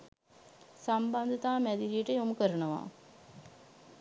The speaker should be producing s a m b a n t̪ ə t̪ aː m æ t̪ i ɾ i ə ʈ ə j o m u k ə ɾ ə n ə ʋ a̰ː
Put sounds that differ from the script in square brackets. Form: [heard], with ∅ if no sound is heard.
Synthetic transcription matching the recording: s a m b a n [d̪] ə t̪ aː m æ [d̪] i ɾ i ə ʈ ə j o m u k ə ɾ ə n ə ʋ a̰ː